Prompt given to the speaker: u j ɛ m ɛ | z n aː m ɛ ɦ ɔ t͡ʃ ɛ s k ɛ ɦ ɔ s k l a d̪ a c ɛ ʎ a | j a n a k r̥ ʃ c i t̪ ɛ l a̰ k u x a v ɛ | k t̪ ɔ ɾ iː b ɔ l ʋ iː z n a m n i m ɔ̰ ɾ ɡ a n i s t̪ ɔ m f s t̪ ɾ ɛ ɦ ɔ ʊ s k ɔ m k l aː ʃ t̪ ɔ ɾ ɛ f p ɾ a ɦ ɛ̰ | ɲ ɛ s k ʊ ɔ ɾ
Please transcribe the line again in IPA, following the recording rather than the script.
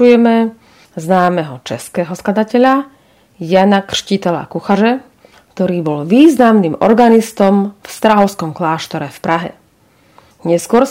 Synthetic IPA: u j ɛ m ɛ | z n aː m ɛ ɦ ɔ t͡ʃ ɛ s k ɛ ɦ ɔ s k l a d̪ a c ɛ ʎ a | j a n a k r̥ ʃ c i t̪ ɛ l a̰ k u x a ʒ ɛ | k t̪ ɔ ɾ iː b ɔ l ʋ iː z n a m n i m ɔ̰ ɾ ɡ a n i s t̪ ɔ m f s t̪ ɾ a ɦ ɔ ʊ s k ɔ m k l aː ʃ t̪ ɔ ɾ ɛ f p ɾ a ɦ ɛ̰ | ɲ ɛ s k ʊ ɔ ɾ